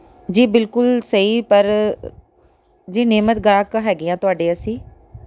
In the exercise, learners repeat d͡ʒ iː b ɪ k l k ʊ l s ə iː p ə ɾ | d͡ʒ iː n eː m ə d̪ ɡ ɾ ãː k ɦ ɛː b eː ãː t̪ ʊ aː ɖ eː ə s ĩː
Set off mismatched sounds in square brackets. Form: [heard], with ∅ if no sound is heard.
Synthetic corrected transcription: d͡ʒ iː b ɪ [∅] l k ʊ l s ə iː p ə ɾ | d͡ʒ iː n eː m ə [t̪] ɡ ɾ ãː k ɦ ɛː [ɡ] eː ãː t̪ ʊ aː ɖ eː ə s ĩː